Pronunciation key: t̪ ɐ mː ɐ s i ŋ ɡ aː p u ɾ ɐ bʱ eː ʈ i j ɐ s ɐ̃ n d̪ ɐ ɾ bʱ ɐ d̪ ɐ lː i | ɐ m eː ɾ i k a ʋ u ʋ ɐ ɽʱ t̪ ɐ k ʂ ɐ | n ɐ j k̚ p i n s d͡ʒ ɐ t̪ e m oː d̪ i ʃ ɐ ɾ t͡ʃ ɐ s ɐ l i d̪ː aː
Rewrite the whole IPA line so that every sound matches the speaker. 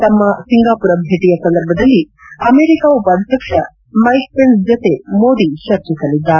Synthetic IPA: t̪ ɐ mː ɐ s i ŋ ɡ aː p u ɾ ɐ bʱ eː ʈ i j ɐ s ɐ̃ n d̪ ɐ ɾ bʱ ɐ d̪ ɐ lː i | ɐ m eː ɾ i k a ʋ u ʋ ɐ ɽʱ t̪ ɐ k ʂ ɐ | m ɐ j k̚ p e n s d͡ʒ ɐ t̪ e m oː d̪ i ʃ ɐ ɾ t͡ʃ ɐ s ɐ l i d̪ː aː